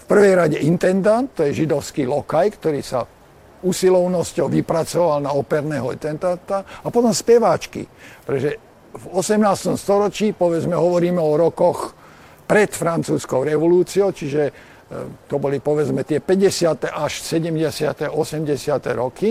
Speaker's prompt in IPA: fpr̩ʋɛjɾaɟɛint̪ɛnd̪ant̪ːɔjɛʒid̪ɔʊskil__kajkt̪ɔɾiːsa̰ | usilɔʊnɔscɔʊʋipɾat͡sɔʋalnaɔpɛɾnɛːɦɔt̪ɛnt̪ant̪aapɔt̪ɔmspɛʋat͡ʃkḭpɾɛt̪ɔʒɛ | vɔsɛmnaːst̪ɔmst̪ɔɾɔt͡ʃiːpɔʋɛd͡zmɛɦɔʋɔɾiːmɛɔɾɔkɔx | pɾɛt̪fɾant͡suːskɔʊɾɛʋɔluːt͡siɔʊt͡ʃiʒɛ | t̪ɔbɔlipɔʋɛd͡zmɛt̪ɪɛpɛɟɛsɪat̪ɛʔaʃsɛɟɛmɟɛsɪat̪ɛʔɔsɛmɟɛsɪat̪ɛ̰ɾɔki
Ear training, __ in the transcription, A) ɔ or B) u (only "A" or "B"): A